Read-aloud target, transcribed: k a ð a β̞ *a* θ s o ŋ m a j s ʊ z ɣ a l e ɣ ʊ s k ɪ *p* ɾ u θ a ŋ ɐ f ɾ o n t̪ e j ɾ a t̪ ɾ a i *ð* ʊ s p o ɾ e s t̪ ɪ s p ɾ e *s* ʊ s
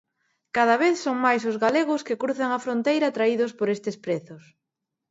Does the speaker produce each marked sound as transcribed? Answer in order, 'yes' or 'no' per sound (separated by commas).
no, no, yes, no